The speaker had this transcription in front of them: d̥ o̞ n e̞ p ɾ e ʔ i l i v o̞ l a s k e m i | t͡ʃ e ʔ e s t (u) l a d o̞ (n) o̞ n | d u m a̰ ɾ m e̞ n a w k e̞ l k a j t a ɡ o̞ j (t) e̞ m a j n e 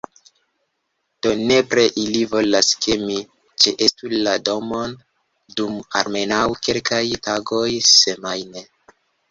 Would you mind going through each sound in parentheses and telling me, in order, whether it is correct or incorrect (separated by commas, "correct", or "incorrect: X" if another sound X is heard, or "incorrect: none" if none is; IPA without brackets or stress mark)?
correct, incorrect: m, incorrect: s